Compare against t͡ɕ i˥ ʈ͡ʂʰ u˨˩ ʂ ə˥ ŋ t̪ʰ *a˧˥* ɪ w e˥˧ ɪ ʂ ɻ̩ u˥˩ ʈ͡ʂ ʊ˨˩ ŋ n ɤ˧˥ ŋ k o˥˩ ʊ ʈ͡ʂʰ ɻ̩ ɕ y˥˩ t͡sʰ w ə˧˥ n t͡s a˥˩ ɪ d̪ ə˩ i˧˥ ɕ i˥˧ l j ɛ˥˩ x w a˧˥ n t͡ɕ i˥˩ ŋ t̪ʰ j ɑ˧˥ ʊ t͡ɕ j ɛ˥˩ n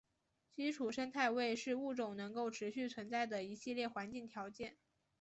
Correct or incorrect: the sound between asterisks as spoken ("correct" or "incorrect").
incorrect